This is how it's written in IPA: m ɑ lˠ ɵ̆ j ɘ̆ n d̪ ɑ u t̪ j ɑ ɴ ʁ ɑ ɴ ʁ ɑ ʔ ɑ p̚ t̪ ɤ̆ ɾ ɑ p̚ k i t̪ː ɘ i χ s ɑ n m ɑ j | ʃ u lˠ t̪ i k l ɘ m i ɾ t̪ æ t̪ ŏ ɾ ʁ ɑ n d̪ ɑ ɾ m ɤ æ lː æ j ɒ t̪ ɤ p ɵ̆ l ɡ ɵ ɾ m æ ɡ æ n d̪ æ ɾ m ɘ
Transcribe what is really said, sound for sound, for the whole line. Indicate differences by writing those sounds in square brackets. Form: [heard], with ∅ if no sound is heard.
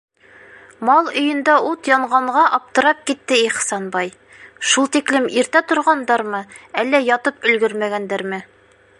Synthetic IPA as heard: m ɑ lˠ ɵ̆ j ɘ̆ n d̪ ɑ u t̪ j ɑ ɴ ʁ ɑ ɴ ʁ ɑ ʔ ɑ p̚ t̪ ɤ̆ ɾ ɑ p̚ k i t̪ː ɘ i χ s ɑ n [b] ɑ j | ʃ u lˠ t̪ i k l ɘ m i ɾ t̪ æ t̪ ŏ ɾ ʁ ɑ n d̪ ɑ ɾ m ɤ æ lː æ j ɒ t̪ ɤ p ɵ̆ l ɡ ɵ ɾ m æ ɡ æ n d̪ æ ɾ m ɘ

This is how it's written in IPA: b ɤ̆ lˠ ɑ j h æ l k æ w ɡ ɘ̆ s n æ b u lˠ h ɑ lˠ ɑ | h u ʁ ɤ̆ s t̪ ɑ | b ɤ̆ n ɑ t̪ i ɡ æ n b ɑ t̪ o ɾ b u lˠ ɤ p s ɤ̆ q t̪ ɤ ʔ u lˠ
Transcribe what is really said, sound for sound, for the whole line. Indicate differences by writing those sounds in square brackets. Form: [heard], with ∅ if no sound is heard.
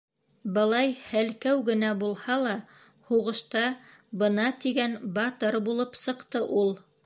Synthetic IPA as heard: b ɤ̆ lˠ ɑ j h æ l k æ w ɡ ɘ̆ [∅] n æ b u lˠ h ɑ lˠ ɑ | h u ʁ ɤ̆ [ʃ] t̪ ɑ | b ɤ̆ n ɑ t̪ i ɡ æ n b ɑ t̪ [ɤ] ɾ b u lˠ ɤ p s ɤ̆ q t̪ ɤ ʔ u lˠ

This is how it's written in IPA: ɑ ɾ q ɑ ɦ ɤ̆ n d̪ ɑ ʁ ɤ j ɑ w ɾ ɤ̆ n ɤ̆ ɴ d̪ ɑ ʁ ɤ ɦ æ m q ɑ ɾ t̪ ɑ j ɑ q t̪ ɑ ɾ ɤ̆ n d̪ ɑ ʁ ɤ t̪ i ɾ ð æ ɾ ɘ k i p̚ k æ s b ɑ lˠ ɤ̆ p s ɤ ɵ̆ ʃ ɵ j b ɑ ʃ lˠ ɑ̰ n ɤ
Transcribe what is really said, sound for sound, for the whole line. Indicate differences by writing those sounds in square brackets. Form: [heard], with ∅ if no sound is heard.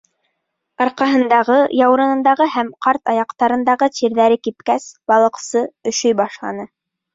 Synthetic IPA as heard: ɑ ɾ q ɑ ɦ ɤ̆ n d̪ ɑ ʁ ɤ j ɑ w ɾ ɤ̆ n ɤ̆ [n] d̪ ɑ ʁ ɤ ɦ æ m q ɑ ɾ t̪ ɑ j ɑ q t̪ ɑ ɾ ɤ̆ n d̪ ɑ ʁ ɤ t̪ i ɾ ð æ ɾ ɘ k i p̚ k æ s b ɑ lˠ ɤ̆ [q] s ɤ ɵ̆ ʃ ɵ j b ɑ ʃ lˠ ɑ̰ n ɤ

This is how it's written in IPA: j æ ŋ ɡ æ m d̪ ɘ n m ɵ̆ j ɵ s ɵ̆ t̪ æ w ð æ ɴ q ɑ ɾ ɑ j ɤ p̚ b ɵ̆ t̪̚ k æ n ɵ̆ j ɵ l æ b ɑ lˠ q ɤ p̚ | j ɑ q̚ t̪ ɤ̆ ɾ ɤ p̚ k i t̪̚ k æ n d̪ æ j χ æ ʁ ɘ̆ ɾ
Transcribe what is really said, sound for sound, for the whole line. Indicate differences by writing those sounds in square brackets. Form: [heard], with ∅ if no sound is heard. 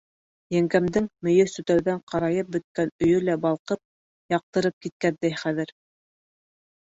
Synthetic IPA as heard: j æ ŋ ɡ æ m d̪ ɘ [ŋ] m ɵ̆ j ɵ s ɵ̆ t̪ æ w ð æ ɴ q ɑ ɾ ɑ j ɤ p̚ b ɵ̆ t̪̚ k æ n ɵ̆ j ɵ l æ b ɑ lˠ q ɤ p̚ | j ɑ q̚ t̪ ɤ̆ ɾ ɤ p̚ k i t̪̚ k æ n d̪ æ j χ æ [ð] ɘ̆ ɾ

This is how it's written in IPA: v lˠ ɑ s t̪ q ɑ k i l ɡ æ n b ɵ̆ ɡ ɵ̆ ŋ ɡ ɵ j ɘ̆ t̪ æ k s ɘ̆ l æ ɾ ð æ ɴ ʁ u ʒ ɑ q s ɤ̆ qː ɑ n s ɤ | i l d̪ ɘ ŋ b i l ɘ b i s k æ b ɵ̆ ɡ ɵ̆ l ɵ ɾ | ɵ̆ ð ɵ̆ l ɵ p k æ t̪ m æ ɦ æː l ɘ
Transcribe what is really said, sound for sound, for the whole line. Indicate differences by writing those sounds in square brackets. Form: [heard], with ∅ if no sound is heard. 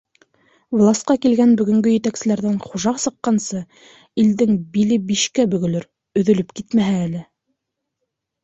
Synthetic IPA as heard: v lˠ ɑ s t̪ q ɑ k i l ɡ æ n b ɵ̆ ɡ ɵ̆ ŋ ɡ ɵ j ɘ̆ t̪ æ k s ɘ̆ l æ ɾ ð æ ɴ [χ] u ʒ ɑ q s ɤ̆ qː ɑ n s ɤ | i l d̪ ɘ ŋ b i l ɘ b i [ʃ] k æ b ɵ̆ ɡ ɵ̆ l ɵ ɾ | ɵ̆ ð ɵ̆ l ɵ p k [i] t̪ m æ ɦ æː l ɘ

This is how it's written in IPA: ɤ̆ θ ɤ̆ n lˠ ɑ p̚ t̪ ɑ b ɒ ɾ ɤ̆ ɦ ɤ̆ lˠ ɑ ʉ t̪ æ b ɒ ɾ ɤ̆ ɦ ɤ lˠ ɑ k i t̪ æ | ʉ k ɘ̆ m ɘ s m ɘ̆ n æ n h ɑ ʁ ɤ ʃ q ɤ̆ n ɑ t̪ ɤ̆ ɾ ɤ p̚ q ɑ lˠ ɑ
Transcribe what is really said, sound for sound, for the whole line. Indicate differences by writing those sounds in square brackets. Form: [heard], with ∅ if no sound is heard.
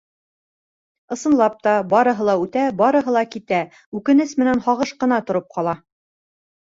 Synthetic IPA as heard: ɤ̆ [s] ɤ̆ n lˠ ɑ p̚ t̪ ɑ b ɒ ɾ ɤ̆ ɦ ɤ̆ lˠ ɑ ʉ t̪ æ b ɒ ɾ ɤ̆ ɦ ɤ lˠ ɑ k i t̪ æ | ʉ k ɘ̆ [n] ɘ s m ɘ̆ n æ n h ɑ ʁ ɤ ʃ q ɤ̆ n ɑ t̪ [ŏ] ɾ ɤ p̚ q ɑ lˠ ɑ

